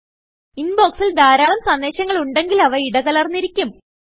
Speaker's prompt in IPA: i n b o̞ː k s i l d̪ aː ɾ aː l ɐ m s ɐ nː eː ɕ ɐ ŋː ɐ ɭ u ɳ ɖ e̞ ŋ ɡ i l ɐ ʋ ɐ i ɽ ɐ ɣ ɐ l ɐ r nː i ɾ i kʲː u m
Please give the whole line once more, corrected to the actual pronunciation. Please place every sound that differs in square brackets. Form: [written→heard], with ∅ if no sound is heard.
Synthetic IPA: i n b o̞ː k s i l d̪ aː ɾ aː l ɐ m s ɐ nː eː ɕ ɐ ŋː ɐ ɭ u ɳ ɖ e̞ ŋ ɡ i l ɐ ʋ ɐ i ɽ ɐ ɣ ɐ l ɐ r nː i ɾ i kʲː u m

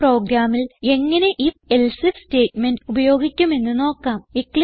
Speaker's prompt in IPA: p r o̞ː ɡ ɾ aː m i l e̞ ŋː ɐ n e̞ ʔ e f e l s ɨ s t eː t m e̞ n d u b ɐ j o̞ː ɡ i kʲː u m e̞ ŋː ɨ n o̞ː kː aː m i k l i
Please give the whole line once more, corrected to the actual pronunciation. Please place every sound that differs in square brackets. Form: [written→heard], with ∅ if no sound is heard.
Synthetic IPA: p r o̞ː ɡ ɾ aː m i l e̞ ŋː ɐ n e̞ ʔ [e→i] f e l s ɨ s t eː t m e̞ n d u b ɐ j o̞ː ɡ i kʲː u m e̞ [ŋː→nː] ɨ n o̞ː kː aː m i k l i

